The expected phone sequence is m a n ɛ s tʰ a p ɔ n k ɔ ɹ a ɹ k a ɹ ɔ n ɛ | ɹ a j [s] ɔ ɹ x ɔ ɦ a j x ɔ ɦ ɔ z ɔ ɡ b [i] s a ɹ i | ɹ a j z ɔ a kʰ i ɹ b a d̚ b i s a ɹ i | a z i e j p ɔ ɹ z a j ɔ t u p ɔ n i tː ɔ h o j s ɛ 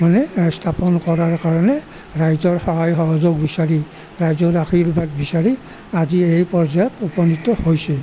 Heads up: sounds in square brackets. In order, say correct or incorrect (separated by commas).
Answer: incorrect, correct